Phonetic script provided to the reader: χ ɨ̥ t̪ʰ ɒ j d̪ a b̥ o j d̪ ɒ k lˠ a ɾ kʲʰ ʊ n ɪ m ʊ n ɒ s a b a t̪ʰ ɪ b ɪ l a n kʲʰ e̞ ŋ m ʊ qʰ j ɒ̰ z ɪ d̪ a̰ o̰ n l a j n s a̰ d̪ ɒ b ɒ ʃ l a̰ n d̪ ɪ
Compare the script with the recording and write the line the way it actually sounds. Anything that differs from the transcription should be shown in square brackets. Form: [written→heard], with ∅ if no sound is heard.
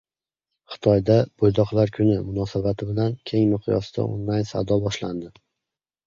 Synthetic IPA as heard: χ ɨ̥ t̪ʰ ɒ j d̪ a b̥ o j d̪ ɒ [k→q] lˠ a ɾ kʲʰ ʊ n ɪ m ʊ n ɒ s a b a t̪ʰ ɪ b ɪ l a n kʲʰ e̞ ŋ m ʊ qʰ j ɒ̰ [z→s] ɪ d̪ a̰ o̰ n l a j n s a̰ d̪ ɒ b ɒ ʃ l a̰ n d̪ ɪ